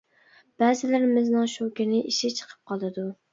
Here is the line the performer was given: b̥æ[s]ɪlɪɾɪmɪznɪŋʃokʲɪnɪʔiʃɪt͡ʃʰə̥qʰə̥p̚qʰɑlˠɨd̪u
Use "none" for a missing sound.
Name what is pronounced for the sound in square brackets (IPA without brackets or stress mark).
z